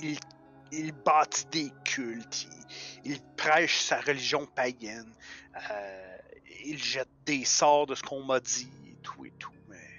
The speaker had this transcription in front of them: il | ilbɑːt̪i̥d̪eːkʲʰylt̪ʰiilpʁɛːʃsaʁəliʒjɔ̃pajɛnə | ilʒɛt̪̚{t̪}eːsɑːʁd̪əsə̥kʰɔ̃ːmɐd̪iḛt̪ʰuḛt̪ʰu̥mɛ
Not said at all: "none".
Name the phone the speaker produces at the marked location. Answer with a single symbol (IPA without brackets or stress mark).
d̪